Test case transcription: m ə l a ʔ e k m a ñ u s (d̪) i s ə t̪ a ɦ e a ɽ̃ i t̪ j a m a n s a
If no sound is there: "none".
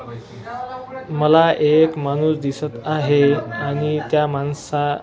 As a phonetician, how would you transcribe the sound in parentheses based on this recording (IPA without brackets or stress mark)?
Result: d̪